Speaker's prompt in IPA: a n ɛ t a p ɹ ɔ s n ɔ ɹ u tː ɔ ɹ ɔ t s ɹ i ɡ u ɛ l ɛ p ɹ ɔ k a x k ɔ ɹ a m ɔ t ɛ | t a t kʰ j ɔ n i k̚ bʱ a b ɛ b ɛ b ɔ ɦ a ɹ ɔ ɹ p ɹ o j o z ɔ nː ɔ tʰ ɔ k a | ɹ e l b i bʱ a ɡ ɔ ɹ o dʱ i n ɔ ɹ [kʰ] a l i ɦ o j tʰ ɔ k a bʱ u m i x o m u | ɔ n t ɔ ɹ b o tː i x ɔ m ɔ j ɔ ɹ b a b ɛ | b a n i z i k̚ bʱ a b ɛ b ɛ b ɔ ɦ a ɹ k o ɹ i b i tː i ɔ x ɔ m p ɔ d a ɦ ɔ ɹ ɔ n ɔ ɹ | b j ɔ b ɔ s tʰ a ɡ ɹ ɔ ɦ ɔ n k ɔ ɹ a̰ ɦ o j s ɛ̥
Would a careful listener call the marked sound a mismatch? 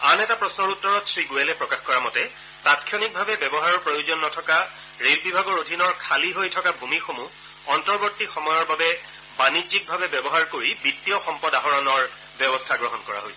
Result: no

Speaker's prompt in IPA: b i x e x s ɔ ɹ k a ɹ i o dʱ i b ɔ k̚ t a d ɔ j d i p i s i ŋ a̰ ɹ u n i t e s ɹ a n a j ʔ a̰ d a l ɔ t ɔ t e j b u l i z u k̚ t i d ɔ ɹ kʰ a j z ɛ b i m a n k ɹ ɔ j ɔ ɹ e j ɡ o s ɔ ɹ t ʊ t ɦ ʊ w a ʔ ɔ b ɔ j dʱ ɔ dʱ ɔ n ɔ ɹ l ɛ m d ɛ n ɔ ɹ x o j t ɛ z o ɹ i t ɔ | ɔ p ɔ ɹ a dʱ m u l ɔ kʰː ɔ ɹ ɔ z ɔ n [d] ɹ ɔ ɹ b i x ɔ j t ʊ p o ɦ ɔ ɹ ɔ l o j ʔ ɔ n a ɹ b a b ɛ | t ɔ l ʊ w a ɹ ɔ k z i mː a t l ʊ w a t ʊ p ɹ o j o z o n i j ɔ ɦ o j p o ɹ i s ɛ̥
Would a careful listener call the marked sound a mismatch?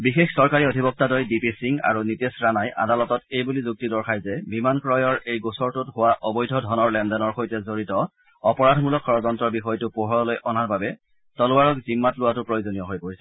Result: yes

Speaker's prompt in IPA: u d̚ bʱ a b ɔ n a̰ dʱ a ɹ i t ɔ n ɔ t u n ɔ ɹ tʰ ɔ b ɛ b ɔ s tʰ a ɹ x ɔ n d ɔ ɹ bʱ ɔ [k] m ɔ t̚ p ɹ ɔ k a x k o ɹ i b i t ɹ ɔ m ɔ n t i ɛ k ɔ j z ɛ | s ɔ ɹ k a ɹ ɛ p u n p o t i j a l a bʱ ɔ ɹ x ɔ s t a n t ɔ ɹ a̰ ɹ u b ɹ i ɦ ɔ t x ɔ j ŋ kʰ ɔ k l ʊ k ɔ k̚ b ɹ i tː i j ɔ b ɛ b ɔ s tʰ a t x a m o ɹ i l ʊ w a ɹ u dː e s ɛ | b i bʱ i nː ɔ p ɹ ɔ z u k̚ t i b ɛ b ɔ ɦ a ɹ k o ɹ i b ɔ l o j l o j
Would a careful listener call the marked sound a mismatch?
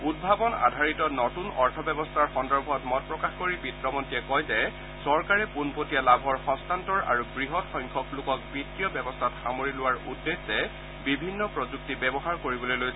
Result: yes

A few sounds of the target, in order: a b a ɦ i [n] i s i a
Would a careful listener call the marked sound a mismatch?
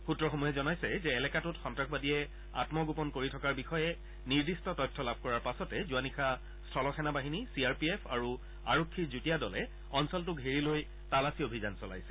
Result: no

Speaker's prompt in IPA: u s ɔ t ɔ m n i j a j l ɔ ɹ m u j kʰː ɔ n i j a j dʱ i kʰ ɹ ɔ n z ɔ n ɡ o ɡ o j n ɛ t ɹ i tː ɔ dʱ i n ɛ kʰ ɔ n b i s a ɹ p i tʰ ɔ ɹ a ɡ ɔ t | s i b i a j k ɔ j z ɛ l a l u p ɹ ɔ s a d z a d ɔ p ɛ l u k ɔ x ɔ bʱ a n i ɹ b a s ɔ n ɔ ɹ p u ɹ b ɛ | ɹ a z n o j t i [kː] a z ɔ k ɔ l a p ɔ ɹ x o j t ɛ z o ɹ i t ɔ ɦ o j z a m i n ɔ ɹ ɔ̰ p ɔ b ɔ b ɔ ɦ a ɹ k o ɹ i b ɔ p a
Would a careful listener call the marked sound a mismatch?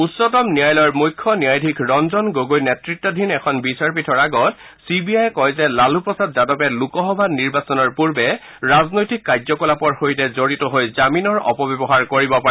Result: no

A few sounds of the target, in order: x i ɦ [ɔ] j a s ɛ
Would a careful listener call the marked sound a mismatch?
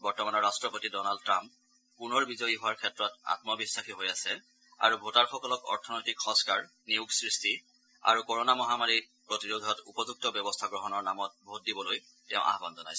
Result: yes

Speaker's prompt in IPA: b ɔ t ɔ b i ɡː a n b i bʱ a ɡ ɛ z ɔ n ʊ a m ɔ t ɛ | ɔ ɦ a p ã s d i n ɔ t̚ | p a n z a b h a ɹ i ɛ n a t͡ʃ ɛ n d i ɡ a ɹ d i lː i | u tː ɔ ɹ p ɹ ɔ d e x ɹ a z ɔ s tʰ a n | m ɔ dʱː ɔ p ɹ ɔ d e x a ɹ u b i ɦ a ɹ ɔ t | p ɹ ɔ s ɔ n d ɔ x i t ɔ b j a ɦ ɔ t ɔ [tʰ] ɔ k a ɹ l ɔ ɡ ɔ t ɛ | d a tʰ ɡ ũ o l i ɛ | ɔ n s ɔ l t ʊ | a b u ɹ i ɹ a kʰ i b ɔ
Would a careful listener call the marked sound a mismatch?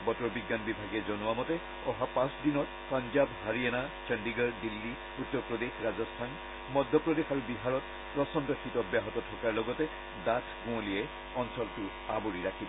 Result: no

